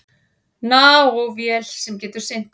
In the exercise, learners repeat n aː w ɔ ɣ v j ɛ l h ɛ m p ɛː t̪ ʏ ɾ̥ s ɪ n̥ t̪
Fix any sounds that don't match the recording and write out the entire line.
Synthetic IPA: n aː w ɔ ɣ v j ɛ l s ɛ m c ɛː t̪ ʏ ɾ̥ s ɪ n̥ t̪